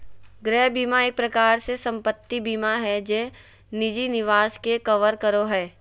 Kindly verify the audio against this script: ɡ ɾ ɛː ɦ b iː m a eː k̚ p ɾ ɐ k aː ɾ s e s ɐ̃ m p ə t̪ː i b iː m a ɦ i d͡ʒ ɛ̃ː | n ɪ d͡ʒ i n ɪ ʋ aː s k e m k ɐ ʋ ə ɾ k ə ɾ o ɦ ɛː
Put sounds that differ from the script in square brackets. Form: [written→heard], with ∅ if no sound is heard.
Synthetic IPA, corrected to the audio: ɡ ɾ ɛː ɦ b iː m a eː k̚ p ɾ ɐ k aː ɾ s e s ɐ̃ m p ə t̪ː i b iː m a ɦ [i→ɛ] d͡ʒ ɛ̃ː | n ɪ d͡ʒ i n ɪ ʋ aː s k e [m→∅] k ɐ ʋ ə ɾ k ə ɾ o ɦ ɛː